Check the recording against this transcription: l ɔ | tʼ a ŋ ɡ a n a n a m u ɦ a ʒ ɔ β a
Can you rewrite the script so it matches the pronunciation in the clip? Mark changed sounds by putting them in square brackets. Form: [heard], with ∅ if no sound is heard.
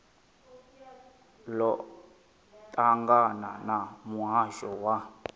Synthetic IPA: l ɔ | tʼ a ŋ ɡ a n a n a m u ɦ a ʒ ɔ [w] a

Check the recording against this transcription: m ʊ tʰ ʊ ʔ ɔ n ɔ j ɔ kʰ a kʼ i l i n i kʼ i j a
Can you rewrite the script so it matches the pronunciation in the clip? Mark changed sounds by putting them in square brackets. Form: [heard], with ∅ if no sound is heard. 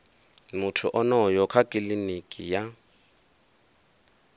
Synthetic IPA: m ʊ tʰ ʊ ʔ ɔ n ɔ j ɔ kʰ a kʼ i l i n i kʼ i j a

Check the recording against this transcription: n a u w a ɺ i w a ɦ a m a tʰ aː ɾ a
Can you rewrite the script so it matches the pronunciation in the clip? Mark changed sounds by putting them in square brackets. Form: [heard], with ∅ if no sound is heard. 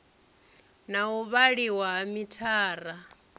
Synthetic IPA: n a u [β] a ɺ i w a ɦ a m [i] tʰ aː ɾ a

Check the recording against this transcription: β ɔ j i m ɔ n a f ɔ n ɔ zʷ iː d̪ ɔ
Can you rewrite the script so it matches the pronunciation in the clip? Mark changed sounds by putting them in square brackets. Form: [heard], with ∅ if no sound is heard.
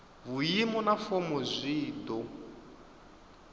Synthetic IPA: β [u] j i m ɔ n a f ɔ [m] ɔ zʷ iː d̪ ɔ

